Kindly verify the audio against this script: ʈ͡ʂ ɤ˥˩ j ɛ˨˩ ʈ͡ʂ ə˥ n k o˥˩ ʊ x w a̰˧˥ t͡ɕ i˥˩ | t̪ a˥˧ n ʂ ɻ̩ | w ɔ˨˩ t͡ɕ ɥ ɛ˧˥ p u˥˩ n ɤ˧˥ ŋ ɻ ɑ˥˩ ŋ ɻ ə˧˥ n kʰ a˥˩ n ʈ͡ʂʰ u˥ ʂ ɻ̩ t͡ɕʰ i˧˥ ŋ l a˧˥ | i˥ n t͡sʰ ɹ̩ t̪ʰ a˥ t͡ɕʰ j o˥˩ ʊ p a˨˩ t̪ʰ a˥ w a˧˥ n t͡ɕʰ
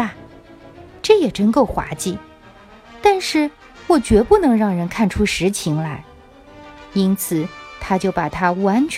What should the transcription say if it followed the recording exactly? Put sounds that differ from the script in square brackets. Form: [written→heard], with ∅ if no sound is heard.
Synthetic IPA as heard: ʈ͡ʂ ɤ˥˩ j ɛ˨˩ ʈ͡ʂ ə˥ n k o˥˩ ʊ x w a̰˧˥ t͡ɕ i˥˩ | t̪ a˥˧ n ʂ ɻ̩ | w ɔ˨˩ t͡ɕ ɥ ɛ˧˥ p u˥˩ n ɤ˧˥ ŋ ɻ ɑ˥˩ ŋ ɻ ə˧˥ n kʰ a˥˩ n ʈ͡ʂʰ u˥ ʂ ɻ̩ t͡ɕʰ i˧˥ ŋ l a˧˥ | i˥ n t͡sʰ ɹ̩ t̪ʰ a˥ [t͡ɕʰ→t͡ɕ] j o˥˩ ʊ p a˨˩ t̪ʰ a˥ w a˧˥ n t͡ɕʰ